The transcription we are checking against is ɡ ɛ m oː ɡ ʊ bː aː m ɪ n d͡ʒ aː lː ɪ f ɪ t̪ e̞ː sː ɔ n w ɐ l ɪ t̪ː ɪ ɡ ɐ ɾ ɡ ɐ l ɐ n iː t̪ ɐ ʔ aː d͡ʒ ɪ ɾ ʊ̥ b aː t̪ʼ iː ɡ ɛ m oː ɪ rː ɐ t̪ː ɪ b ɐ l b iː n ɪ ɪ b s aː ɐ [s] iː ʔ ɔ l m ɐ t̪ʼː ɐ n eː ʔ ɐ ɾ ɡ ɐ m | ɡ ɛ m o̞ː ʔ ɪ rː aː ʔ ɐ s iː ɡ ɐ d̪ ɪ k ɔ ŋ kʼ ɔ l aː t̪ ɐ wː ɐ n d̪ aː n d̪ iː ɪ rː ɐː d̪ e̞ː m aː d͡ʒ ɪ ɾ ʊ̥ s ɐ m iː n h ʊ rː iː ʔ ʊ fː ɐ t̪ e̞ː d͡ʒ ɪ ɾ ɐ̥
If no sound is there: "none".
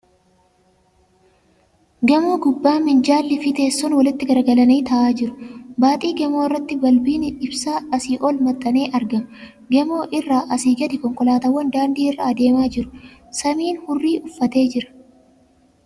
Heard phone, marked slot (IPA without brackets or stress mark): s